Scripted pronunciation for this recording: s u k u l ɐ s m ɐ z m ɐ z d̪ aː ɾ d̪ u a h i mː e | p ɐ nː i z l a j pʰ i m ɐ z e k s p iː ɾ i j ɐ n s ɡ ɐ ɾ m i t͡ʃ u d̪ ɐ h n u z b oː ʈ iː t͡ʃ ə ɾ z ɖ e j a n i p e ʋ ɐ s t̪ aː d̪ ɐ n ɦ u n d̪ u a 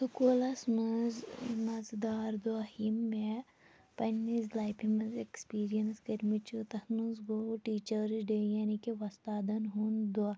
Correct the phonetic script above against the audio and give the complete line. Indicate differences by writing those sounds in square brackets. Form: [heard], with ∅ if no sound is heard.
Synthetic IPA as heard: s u k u l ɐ s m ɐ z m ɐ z d̪ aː ɾ d̪ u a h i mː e | p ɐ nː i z l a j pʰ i m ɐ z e k s p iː ɾ i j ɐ n s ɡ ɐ ɾ m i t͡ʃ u [t̪] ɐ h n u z [ɡ] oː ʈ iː t͡ʃ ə ɾ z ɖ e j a n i [k] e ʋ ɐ s t̪ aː d̪ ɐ n ɦ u n d̪ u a